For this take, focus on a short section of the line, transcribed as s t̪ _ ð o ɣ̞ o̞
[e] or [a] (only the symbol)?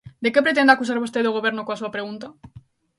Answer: e